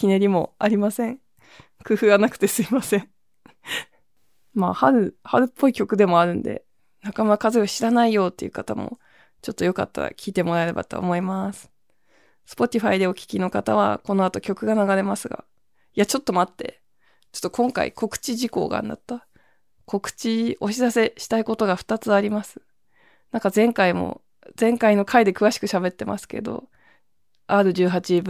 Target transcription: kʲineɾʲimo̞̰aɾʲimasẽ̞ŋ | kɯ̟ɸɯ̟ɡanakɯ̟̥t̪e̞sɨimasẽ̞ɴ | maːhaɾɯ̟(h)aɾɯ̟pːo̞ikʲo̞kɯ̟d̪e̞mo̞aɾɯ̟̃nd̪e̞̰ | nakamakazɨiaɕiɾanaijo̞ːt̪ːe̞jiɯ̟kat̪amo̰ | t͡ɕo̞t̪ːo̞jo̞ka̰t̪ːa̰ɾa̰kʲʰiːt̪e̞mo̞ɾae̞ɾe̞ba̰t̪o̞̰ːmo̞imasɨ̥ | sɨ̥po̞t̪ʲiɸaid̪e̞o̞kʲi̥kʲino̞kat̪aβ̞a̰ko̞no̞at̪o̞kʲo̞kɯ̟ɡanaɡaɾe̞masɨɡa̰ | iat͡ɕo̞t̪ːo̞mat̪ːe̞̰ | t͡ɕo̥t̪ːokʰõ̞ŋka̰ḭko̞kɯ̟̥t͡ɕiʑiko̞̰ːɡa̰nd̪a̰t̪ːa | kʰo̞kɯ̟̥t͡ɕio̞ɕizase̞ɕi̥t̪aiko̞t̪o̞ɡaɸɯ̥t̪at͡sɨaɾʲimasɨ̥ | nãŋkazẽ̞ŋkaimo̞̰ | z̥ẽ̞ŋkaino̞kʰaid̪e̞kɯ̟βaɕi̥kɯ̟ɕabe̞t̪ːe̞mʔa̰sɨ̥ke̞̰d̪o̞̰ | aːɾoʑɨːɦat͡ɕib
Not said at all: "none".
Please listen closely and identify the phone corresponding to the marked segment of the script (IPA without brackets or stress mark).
h